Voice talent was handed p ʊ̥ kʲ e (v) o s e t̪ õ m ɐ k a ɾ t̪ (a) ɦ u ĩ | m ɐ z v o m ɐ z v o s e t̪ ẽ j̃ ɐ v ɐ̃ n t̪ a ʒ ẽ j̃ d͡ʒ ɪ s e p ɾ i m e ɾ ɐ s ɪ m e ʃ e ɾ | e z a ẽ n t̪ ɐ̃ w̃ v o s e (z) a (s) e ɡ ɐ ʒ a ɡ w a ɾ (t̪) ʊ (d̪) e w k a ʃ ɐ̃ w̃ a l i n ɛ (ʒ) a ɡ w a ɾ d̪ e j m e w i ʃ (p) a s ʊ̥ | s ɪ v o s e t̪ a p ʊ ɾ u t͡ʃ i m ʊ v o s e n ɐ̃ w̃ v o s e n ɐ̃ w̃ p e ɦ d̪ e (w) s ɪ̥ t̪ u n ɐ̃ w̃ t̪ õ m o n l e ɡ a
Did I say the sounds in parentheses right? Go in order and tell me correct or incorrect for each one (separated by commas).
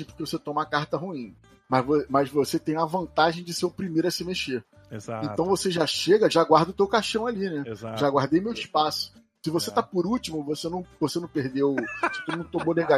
correct, incorrect, incorrect, incorrect, incorrect, incorrect, correct, correct, correct